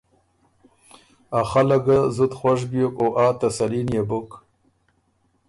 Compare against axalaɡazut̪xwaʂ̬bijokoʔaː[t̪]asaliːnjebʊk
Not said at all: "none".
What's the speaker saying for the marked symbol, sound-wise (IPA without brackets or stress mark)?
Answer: t̪